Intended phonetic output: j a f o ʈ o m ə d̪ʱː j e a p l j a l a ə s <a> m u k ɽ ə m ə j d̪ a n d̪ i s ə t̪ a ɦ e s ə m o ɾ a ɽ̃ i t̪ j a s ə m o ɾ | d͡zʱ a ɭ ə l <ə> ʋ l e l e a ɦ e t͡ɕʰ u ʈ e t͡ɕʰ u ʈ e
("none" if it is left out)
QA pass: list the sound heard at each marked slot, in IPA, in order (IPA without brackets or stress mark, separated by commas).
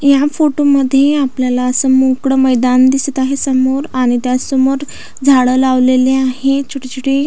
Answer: ə, a